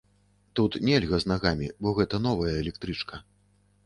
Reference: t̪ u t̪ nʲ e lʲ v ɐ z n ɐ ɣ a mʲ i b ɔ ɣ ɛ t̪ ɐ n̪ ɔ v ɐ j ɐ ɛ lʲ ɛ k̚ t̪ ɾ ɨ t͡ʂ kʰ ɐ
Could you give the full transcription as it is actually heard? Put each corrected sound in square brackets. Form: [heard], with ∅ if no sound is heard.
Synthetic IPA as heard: t̪ u t̪ nʲ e lʲ [ɣ] ɐ z n [a] ɣ a mʲ i b ɔ ɣ ɛ t̪ ɐ n̪ ɔ v ɐ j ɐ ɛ lʲ ɛ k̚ t̪ ɾ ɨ t͡ʂ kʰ ɐ

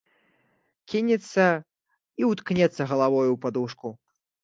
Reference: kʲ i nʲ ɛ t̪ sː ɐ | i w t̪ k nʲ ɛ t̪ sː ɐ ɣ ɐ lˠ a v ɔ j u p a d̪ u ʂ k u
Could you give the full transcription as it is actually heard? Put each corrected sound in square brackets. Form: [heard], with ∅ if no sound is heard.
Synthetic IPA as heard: kʲ i nʲ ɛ t̪ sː ɐ | i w t̪ k nʲ ɛ t̪ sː ɐ ɣ ɐ lˠ a v ɔ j u p a d̪ u ʂ k u

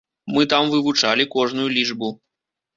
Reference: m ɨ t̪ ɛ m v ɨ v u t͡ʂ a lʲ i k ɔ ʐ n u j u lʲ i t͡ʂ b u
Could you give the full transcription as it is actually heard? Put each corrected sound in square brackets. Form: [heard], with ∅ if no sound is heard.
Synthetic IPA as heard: m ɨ t̪ [a] m v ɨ v u t͡ʂ a lʲ i k ɔ ʐ n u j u lʲ i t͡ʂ b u

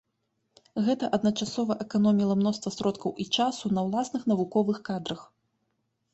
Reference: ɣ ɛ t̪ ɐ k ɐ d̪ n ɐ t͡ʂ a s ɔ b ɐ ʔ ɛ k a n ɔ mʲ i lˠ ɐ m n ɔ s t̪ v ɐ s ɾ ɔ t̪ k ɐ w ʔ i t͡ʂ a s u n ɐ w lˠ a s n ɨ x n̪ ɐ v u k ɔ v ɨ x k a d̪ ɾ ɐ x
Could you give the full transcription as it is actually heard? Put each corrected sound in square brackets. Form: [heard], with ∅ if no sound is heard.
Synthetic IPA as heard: ɣ ɛ t̪ ɐ [ʔ] ɐ d̪ n ɐ t͡ʂ a s ɔ [v] ɐ ʔ ɛ k a n ɔ mʲ i lˠ ɐ m n ɔ s t̪ v ɐ s ɾ ɔ t̪ k ɐ w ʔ i t͡ʂ a s u n ɐ w lˠ a s n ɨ x n̪ ɐ v u k ɔ v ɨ x k a d̪ ɾ ɐ x

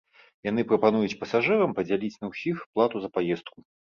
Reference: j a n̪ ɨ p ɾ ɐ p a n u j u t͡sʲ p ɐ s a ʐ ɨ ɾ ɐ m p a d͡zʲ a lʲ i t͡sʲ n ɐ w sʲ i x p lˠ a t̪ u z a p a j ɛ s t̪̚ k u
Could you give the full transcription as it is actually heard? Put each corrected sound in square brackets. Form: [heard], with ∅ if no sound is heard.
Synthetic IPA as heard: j a n̪ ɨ p ɾ ɐ p a n u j u t͡sʲ p ɐ s a ʐ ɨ ɾ ɐ m p [ɐ] d͡zʲ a lʲ i t͡sʲ n ɐ w sʲ i x p lˠ a t̪ u z [ɐ] p a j ɛ s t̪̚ k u

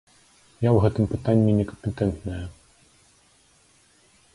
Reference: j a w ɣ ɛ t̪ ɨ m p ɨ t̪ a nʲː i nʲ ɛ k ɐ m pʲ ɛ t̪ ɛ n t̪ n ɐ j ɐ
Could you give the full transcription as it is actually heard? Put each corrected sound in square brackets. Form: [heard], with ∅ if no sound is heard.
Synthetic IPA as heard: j a w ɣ ɛ t̪ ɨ m p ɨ t̪ a nʲː i nʲ ɛ k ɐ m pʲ ɛ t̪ ɛ n t̪ n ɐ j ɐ

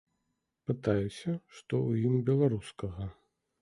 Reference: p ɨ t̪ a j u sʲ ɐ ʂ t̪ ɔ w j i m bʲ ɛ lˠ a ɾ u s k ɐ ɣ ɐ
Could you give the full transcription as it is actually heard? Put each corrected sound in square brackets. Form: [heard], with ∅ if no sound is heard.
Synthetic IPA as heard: p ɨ t̪ a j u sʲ ɐ ʂ t̪ ɔ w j i m bʲ ɛ lˠ a ɾ u s k ɐ ɣ ɐ

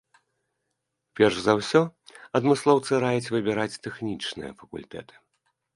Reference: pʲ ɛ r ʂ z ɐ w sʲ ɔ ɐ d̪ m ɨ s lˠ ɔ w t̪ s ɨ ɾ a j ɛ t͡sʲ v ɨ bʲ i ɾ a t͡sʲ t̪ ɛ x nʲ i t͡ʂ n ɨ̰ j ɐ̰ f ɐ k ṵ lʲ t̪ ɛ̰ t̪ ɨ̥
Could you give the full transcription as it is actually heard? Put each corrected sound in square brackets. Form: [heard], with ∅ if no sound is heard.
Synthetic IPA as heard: pʲ ɛ r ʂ z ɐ w sʲ ɔ ɐ d̪ m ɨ s lˠ ɔ w t̪ s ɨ ɾ a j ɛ t͡sʲ v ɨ bʲ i ɾ a t͡sʲ t̪ ɛ x nʲ i t͡ʂ n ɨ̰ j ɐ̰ f ɐ k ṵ lʲ t̪ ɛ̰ t̪ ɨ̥

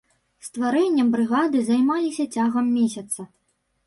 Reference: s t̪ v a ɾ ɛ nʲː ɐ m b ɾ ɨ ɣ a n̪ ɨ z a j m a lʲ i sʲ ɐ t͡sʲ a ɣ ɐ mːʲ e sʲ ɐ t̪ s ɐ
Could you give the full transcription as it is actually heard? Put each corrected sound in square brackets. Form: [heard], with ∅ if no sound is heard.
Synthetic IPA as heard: s t̪ v a ɾ ɛ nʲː ɐ m b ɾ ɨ ɣ a [d̪] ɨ z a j m a lʲ i sʲ ɐ t͡sʲ a ɣ ɐ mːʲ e sʲ ɐ t̪ s ɐ

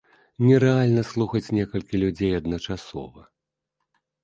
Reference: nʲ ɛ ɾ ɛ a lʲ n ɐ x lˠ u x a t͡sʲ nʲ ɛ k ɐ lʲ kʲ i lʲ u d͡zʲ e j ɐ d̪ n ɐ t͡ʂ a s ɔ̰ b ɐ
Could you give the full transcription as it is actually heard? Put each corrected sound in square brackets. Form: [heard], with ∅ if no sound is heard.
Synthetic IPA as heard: nʲ ɛ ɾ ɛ a lʲ n ɐ [s] lˠ u x [ɐ] t͡sʲ nʲ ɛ k ɐ lʲ kʲ i lʲ u d͡zʲ e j ɐ d̪ n ɐ t͡ʂ a s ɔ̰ [v] ɐ

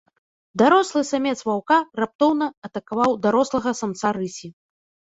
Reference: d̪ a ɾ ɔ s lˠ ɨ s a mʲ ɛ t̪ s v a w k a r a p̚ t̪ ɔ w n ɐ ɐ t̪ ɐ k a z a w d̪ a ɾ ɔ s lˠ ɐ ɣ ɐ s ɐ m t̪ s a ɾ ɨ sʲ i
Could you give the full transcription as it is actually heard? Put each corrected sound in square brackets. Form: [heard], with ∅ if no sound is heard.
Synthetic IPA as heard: d̪ a ɾ ɔ s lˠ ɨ s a mʲ ɛ t̪ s v a w k a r a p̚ t̪ ɔ w n ɐ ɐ t̪ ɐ k a [v] a w d̪ a ɾ ɔ s lˠ ɐ ɣ ɐ s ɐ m t̪ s a ɾ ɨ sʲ i

